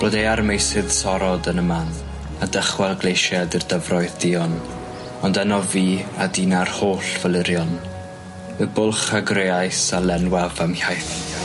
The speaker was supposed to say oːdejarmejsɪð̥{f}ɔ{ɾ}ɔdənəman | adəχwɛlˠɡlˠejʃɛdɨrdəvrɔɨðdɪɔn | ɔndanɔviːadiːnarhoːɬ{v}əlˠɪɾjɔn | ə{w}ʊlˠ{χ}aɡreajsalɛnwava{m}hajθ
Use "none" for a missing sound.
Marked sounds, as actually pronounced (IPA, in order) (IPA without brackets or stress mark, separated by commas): s, ɾ, v, b, χ, m